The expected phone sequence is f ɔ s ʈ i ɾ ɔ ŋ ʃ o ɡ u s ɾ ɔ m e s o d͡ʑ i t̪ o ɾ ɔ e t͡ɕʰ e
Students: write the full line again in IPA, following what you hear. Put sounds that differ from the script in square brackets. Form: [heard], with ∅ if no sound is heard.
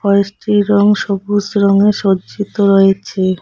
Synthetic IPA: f ɔ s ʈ i ɾ ɔ ŋ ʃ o [b] u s ɾ ɔ [ŋ] e [ʃ] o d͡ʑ i t̪ o ɾ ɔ e t͡ɕʰ e